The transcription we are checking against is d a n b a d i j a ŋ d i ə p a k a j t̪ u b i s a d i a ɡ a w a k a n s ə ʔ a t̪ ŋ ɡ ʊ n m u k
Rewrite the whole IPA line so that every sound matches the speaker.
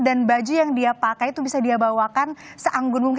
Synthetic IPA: d a n b a d͡ʒ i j a ŋ d i a p a k a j t̪ u b i s a d i a b a w a k a n s ə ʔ a ŋ ɡ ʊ n m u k